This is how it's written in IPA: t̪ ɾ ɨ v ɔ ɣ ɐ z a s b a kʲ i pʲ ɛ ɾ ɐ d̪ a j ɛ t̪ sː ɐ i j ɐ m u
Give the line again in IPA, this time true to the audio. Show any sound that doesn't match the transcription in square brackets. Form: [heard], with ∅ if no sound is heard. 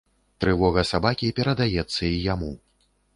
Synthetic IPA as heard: t̪ ɾ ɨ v ɔ ɣ ɐ [s] a [∅] b a kʲ i pʲ ɛ ɾ ɐ d̪ a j ɛ t̪ sː ɐ i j [a] m u